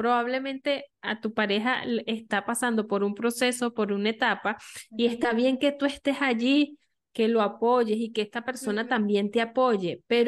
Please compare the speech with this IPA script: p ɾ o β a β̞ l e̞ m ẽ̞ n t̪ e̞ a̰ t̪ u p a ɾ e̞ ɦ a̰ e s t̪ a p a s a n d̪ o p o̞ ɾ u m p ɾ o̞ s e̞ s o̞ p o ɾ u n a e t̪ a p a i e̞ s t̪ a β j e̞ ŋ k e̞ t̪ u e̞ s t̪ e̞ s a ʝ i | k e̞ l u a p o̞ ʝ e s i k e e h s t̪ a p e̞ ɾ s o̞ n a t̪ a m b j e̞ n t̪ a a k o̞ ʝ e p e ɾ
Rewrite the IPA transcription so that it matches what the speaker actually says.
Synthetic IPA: p ɾ o β a β̞ l e̞ m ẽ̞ n t̪ e̞ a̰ t̪ u p a ɾ e̞ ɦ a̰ e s t̪ a p a s a n d̪ o p o̞ ɾ u m p ɾ o̞ s e̞ s o̞ p o ɾ u n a e t̪ a p a i e̞ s t̪ a β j e̞ ŋ k e̞ t̪ u e̞ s t̪ e̞ s a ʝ i | k e̞ l o a p o̞ ʝ e s i k e e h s t̪ a p e̞ ɾ s o̞ n a t̪ a m b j e̞ n t̪ e a p o̞ ʝ e p e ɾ